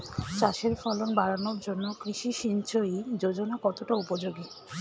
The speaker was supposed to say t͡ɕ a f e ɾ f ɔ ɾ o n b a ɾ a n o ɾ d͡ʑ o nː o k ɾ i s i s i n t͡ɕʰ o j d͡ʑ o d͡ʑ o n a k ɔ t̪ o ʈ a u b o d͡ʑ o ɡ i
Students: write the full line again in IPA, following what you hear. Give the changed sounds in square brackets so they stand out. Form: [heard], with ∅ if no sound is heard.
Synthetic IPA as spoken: t͡ɕ a [ʃ] e ɾ f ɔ [l] o n b a ɾ a n o ɾ d͡ʑ o nː o k ɾ i [ʃ] i [ʃ] i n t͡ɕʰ o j d͡ʑ o d͡ʑ o n a k ɔ t̪ o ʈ a u [p] o d͡ʑ o ɡ i